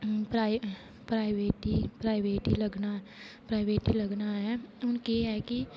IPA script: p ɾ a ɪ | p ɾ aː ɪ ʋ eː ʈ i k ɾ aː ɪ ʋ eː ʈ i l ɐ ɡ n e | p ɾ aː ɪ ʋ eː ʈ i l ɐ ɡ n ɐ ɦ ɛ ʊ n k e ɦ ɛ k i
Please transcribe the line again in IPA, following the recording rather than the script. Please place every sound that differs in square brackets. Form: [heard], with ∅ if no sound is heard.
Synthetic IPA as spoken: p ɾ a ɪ | p ɾ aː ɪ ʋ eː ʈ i [p] ɾ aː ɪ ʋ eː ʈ i l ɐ ɡ n [a] | p ɾ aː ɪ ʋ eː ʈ i l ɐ ɡ n [a] ɦ ɛ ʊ n k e ɦ ɛ k i